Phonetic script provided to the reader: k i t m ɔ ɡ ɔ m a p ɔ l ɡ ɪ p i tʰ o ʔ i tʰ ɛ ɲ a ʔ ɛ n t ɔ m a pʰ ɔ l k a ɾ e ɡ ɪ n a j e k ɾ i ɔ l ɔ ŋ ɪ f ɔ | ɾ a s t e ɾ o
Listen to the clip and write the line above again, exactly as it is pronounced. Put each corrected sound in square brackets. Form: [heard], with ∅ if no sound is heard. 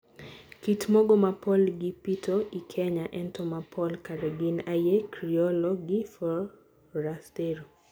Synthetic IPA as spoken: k i t m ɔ ɡ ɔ m a p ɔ l ɡ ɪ p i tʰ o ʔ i [kʰ] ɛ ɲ a ʔ ɛ n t ɔ m a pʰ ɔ l k a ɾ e ɡ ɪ n a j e k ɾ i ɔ l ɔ [ɡ] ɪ f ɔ | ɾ a s t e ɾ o